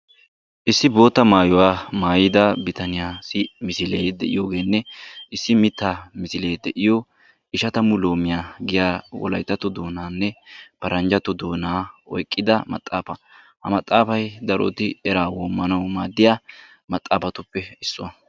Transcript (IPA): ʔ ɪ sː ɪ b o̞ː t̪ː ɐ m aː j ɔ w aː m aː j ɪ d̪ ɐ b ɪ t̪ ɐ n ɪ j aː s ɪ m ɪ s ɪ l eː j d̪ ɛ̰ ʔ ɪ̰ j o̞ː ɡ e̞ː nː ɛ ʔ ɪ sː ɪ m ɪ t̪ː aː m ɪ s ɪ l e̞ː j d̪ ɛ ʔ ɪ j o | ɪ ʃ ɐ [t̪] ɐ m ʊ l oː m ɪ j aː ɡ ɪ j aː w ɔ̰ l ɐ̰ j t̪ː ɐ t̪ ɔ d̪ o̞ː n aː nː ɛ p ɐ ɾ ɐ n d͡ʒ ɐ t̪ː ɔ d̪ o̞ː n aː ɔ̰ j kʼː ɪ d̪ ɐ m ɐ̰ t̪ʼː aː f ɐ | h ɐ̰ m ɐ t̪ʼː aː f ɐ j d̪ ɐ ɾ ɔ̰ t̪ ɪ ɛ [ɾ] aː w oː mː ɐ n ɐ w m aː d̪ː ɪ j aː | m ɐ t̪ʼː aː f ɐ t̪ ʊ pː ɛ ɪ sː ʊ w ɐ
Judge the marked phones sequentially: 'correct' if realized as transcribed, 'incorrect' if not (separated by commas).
correct, correct